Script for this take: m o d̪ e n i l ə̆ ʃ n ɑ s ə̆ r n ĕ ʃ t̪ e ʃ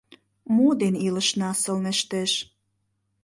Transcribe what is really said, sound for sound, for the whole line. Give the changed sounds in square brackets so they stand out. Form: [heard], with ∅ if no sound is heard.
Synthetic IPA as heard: m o d̪ e n i l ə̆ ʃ n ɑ s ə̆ [l] n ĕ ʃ t̪ e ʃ